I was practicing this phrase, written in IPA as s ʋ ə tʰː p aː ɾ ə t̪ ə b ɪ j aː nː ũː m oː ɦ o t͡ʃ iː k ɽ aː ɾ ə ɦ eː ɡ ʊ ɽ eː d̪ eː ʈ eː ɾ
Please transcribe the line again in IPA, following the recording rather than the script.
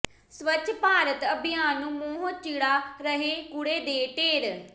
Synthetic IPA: s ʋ ə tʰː p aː ɾ ə t̪ ə b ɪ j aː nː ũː m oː ɦ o t͡ʃ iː ɽ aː ɾ ə ɦ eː k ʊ ɽ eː d̪ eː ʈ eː ɾ